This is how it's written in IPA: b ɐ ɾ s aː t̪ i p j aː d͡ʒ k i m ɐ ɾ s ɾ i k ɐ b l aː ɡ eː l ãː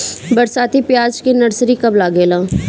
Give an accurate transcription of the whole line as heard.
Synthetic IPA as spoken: b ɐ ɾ s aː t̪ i p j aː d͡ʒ k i n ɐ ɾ s ɾ i k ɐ b l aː ɡ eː l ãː